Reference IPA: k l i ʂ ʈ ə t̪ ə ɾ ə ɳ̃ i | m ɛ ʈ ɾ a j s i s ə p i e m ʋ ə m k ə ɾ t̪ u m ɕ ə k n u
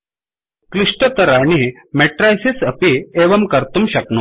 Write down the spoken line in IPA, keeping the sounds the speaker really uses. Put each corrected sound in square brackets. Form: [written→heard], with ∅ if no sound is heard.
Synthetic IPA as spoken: k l i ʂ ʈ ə t̪ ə ɾ [ə→a] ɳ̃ i | m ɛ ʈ ɾ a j s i s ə p i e [m→∅] ʋ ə m k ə ɾ t̪ u m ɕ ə k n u

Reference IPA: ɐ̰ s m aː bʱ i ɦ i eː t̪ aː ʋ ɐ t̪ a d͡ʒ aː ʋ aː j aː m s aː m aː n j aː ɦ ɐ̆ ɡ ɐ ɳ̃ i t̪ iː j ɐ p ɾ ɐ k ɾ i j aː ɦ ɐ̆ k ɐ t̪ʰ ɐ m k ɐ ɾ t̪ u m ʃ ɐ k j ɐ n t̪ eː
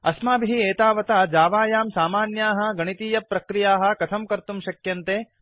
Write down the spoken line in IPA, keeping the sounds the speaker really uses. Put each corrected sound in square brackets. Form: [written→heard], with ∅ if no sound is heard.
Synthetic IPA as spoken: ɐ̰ s m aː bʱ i ɦ i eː t̪ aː ʋ ɐ t̪ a d͡ʒ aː ʋ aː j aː m s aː m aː n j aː ɦ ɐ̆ ɡ ɐ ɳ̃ i t̪ iː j ɐ p ɾ ɐ k ɾ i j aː ɦ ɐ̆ k ɐ t̪ʰ ɐ m k ɐ ɾ t̪ u m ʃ ɐ k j ɐ n t̪ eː

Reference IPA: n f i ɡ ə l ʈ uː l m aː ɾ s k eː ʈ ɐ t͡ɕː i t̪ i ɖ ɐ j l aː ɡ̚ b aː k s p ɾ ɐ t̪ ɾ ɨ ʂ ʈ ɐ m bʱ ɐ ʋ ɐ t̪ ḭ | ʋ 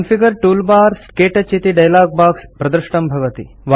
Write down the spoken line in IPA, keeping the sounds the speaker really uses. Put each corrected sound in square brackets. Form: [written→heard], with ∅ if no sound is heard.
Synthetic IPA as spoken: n f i ɡ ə [l→ɾ] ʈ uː l [m→b] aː ɾ s k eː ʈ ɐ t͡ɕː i t̪ i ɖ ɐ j l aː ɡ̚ b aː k s p ɾ ɐ [t̪→d̪] ɾ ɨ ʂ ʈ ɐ m bʱ ɐ ʋ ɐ t̪ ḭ | ʋ

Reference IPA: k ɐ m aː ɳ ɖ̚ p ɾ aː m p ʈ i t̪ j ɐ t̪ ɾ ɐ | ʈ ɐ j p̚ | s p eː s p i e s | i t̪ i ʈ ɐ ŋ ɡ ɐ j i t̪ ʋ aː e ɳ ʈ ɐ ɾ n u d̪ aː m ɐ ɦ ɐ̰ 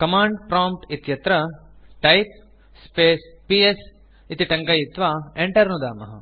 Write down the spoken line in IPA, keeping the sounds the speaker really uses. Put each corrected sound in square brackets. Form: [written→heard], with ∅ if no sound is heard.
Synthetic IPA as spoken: k ɐ m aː ɳ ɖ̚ p ɾ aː m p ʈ i t̪ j ɐ t̪ ɾ ɐ | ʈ ɐ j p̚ | s p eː s p i e s | i t̪ i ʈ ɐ ŋ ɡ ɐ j i t̪ ʋ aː e ɳ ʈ ɐ ɾ n u d̪ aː m ɐ ɦ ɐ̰

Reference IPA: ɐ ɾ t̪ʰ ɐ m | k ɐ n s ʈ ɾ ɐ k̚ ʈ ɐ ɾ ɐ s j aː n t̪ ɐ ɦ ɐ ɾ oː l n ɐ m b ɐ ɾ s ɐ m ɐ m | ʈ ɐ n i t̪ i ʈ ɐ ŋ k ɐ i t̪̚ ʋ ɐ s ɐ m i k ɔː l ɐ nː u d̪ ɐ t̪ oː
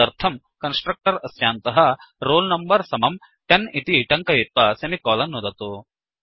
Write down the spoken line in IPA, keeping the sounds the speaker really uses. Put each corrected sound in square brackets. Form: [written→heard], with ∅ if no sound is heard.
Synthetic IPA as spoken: ɐ ɾ t̪ʰ ɐ m | k ɐ n s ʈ ɾ ɐ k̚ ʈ ɐ ɾ ɐ s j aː n t̪ ɐ ɦ ɐ ɾ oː l n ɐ m b ɐ ɾ s ɐ m ɐ m | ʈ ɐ n i t̪ i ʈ ɐ ŋ k ɐ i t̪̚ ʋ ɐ s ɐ m i k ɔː l ɐ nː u d̪ ɐ t̪ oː

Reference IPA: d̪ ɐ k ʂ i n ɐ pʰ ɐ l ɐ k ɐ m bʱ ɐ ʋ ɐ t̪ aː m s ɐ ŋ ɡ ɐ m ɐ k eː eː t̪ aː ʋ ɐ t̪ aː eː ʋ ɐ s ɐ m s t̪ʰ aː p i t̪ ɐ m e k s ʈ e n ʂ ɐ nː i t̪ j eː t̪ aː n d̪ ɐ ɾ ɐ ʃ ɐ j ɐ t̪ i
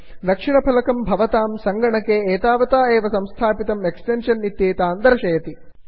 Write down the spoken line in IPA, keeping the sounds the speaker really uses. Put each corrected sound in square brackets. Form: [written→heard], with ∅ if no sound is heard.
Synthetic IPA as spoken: d̪ ɐ k ʂ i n ɐ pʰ ɐ l ɐ k ɐ m bʱ ɐ ʋ ɐ t̪ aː m s ɐ ŋ ɡ ɐ [m→ɳ] ɐ k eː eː t̪ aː ʋ ɐ t̪ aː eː ʋ ɐ s ɐ m s t̪ʰ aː p i t̪ ɐ m e k s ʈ e n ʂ ɐ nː i t̪ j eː t̪ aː n d̪ ɐ ɾ ɐ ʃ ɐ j ɐ t̪ i

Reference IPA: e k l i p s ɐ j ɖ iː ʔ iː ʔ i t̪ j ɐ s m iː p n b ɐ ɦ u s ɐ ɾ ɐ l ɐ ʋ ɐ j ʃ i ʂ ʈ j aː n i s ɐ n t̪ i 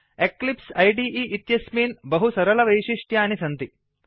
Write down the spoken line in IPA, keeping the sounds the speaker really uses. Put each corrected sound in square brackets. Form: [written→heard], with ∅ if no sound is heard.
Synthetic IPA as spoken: e k l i p s ɐ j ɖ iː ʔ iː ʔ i t̪ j ɐ s m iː [p→∅] n b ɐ ɦ u s ɐ ɾ ɐ l ɐ ʋ ɐ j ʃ i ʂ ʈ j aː n i s ɐ n t̪ i

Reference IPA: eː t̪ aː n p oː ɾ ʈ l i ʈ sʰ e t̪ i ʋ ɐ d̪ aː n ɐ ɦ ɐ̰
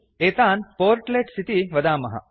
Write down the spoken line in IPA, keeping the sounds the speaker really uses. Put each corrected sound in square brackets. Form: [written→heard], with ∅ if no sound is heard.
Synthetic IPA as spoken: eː t̪ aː n p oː ɾ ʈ l [i→e] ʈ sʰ [e→i] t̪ i ʋ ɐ d̪ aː [n→m] ɐ ɦ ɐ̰

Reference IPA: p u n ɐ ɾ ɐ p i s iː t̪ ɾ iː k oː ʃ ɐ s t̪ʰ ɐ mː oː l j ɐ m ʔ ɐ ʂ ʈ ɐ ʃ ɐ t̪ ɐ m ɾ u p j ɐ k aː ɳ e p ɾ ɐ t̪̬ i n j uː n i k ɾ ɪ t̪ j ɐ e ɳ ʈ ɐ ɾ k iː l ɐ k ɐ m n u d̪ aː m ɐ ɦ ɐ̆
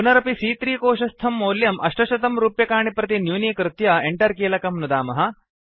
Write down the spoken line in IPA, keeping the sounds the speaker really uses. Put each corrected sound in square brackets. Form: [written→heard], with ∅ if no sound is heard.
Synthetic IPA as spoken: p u n ɐ ɾ ɐ p i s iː t̪ ɾ iː k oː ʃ ɐ s t̪ʰ ɐ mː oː l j ɐ m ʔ ɐ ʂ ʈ ɐ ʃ ɐ t̪ ɐ m ɾ [u→uː] p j ɐ k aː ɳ [e→i] p ɾ ɐ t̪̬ i n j uː n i k ɾ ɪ t̪ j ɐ e ɳ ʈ ɐ ɾ k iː l ɐ k ɐ m n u d̪ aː m ɐ ɦ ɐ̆

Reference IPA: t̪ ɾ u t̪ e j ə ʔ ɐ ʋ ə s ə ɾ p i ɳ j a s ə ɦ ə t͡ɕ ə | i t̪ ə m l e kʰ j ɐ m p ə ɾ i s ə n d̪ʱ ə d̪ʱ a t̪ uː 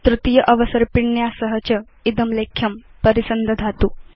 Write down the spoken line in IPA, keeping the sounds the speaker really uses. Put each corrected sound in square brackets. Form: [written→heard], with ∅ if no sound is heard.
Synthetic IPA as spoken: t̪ ɾ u t̪ [e→i] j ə ʔ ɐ ʋ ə s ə ɾ p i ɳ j a s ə ɦ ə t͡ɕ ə | i [t̪→d̪] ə m l e kʰ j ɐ m p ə ɾ i s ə n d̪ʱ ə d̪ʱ a t̪ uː

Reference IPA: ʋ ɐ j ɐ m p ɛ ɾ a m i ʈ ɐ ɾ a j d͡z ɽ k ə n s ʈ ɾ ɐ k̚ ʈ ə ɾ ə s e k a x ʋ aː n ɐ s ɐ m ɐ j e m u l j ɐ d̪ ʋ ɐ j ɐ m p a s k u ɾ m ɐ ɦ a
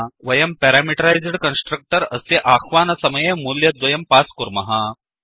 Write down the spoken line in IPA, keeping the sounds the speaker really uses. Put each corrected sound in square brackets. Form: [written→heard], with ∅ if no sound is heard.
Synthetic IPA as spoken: ʋ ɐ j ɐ m p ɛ ɾ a m i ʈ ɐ ɾ a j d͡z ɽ k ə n s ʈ ɾ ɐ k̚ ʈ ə ɾ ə s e [k→ʔ] a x ʋ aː n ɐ s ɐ m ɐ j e m u l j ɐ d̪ ʋ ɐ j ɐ m p a s k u ɾ m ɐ ɦ a

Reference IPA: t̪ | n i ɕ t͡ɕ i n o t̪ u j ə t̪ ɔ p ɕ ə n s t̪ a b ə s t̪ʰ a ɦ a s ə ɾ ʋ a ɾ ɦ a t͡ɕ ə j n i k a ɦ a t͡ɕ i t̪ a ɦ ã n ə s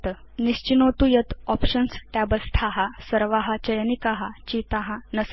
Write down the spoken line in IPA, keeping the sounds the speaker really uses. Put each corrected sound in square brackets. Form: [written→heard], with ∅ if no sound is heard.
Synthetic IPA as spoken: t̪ | n i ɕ t͡ɕ i n o t̪ u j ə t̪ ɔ p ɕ ə n s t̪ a b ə s t̪ʰ a ɦ a s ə ɾ ʋ a [ɾ→∅] ɦ a t͡ɕ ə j n i k a ɦ a t͡ɕ i t̪ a ɦ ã n ə s

